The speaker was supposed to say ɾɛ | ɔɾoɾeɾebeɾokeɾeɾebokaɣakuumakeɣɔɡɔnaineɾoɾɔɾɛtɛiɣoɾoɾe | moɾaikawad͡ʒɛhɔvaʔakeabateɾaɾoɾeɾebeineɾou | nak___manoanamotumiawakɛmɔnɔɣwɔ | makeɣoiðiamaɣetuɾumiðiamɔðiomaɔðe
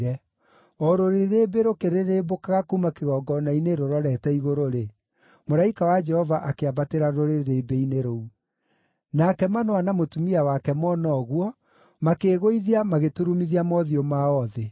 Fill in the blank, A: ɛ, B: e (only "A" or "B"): A